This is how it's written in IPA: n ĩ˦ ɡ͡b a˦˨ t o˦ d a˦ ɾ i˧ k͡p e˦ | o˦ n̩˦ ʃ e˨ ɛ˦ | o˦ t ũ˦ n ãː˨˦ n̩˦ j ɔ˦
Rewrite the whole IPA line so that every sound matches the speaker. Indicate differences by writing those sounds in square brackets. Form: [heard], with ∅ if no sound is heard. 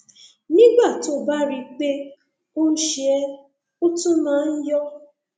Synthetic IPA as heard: n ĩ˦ ɡ͡b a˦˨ t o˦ [b] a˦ ɾ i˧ k͡p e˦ | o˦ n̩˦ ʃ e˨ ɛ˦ | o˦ t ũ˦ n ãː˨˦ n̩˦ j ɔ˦